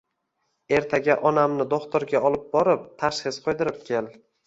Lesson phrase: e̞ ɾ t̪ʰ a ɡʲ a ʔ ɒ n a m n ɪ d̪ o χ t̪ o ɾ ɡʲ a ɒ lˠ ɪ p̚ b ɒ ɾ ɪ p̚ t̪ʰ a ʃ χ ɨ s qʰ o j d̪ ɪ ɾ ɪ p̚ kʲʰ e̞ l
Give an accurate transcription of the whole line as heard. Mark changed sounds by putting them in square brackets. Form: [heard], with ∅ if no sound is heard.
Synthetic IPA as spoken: e̞ ɾ t̪ʰ a ɡʲ a ʔ ɒ n a m n ɪ d̪ o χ t̪ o ɾ ɡʲ a ɒ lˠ ɪ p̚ b ɒ ɾ ɪ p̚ t̪ʰ a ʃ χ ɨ s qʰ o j d̪ ɪ ɾ ɪ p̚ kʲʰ e̞ l